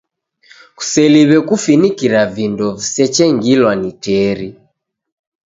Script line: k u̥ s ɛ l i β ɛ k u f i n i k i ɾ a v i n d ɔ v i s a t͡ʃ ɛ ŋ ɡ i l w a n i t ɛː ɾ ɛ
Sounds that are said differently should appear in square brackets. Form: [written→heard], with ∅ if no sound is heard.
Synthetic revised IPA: k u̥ s ɛ l i β ɛ k u f i n i k i ɾ a v i n d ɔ v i s [a→ɛ] t͡ʃ ɛ ŋ ɡ i l w a n i t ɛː ɾ [ɛ→i]